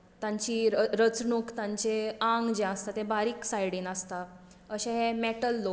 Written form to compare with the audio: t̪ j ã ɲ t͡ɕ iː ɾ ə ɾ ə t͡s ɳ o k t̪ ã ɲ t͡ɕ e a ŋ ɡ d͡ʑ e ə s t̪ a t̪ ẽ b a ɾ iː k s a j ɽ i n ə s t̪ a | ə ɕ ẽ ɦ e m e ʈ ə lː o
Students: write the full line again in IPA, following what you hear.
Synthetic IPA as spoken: t̪ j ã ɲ t͡ɕ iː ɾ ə ɾ ə t͡s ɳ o k t̪ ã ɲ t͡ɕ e a ŋ ɡ d͡ʑ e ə s t̪ a t̪ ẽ b a ɾ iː k s a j ɽ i n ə s t̪ a | ə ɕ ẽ ɦ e m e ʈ ə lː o

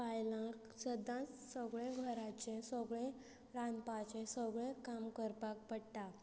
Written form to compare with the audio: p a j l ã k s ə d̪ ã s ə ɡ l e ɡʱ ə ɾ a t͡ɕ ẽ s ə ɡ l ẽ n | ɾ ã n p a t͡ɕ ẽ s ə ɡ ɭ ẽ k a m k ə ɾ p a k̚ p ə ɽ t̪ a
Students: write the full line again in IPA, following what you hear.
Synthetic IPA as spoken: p a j l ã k s ə d̪ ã s ə ɡ ɭ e ɡʱ ə ɾ a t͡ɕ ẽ s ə ɡ ɭ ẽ | ɾ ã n p a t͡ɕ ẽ s ə ɡ ɭ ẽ k a m k ə ɾ p a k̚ p ə ɽ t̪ a

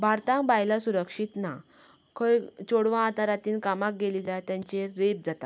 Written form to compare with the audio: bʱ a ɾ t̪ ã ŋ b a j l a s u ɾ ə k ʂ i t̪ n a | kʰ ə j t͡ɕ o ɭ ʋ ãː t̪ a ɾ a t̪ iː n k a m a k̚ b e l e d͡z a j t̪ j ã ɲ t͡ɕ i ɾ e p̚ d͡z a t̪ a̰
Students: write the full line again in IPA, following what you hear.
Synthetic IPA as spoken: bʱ a ɾ t̪ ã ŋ b a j l a s u ɾ ə k ʂ i t̪ n a | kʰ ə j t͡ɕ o ɽ ʋ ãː t̪ a ɾ a t̪ iː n k a m a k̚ ɡ e l i d͡z a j t̪ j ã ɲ t͡ɕ e ɾ e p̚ d͡z a t̪ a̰

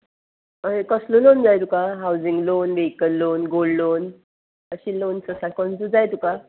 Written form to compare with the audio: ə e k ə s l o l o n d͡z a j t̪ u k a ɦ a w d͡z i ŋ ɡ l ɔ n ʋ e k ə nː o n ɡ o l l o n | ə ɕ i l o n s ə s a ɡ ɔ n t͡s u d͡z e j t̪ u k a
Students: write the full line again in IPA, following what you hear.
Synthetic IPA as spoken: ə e k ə s l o l o n d͡z a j t̪ u k a ɦ a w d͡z i ŋ ɡ l o n ʋ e k ə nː o n ɡ o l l o n | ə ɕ i l o n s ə s a k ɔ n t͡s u d͡z a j t̪ u k a

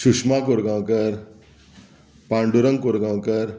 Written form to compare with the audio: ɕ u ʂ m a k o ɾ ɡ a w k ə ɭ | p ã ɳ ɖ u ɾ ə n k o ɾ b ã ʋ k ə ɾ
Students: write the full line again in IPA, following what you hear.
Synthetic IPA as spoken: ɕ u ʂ m a k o ɾ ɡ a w k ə ɾ | p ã ɳ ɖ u ɾ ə ŋ k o ɾ ɡ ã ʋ k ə ɾ

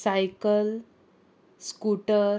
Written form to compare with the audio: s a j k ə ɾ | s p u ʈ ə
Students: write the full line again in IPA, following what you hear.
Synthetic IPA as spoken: s a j k ə l | s k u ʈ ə

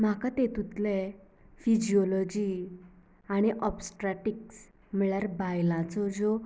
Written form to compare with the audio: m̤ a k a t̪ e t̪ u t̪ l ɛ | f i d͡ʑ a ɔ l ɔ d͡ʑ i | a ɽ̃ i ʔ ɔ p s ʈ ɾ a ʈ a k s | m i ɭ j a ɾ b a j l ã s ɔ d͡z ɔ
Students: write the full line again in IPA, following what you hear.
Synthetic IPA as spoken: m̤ a k a t̪ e t̪ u t̪ l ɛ | f i d͡ʑ i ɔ l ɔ d͡ʑ i | a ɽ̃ i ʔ ɔ p s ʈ ɾ a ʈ i k s | m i ɭ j a ɾ b a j l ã t͡s ɔ d͡z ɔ

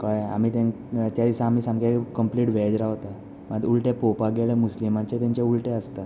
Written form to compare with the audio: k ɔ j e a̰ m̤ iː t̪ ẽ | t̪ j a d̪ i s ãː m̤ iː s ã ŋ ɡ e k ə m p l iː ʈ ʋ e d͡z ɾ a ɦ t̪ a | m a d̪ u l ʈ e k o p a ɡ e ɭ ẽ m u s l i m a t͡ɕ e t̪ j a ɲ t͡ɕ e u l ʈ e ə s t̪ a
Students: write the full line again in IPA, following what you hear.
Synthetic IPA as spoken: k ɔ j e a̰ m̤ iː t̪ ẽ | t̪ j a d̪ i s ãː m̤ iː s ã ŋ ɡ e k ə m p l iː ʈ ʋ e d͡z ɾ a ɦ t̪ a | m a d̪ u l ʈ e p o p a ɡ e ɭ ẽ m u s l i m a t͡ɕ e t̪ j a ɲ t͡ɕ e u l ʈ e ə s t̪ a

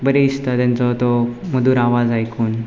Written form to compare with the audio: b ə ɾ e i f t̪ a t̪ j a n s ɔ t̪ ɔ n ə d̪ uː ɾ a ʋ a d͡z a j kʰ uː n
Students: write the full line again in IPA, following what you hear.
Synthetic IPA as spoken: b ə ɾ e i s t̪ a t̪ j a n t͡s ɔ t̪ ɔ m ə d̪ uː ɾ a ʋ a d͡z a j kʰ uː n

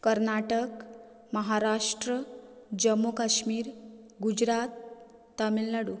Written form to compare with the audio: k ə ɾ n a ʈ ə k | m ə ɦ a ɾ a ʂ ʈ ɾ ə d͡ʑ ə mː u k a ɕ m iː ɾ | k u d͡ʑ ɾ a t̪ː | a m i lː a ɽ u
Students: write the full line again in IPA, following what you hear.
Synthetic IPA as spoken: k ə ɾ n a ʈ ə k | m ə ɦ a ɾ a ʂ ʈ ɾ ə d͡ʑ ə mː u k a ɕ m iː ɾ | ɡ u d͡ʑ ɾ a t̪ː | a m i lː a ɽ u

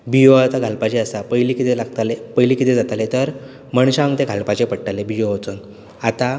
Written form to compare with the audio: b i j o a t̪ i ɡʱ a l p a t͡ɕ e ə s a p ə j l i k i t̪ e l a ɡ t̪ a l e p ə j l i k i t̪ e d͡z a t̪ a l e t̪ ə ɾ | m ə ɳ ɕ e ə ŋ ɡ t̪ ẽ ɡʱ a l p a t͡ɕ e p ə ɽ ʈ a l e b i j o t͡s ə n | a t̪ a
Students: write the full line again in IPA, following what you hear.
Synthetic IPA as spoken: b i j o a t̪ a ɡʱ a l p a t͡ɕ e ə s a p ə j l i k i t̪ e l a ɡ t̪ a l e p ə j l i k i t̪ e d͡z a t̪ a l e t̪ ə ɾ | m ə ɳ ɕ a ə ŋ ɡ t̪ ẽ ɡʱ a l p a t͡ɕ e p ə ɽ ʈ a l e b i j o t͡s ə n | a t̪ a

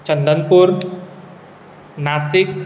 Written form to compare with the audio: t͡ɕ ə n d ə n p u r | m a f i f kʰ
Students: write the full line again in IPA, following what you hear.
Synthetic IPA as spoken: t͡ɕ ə n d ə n p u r | n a s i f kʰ

